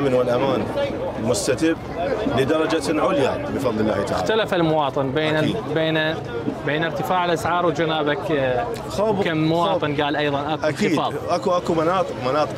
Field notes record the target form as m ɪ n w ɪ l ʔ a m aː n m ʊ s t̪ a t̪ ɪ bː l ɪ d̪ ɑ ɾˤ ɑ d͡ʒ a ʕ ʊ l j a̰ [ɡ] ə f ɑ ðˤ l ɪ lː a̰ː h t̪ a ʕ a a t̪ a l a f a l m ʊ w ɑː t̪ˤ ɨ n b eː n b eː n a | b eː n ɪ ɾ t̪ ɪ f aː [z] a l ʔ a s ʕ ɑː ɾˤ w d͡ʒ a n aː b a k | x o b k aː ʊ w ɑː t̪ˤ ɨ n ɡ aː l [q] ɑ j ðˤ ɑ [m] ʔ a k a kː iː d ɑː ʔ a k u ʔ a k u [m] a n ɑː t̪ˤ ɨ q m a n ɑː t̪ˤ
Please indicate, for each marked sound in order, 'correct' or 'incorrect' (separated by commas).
incorrect, incorrect, incorrect, incorrect, correct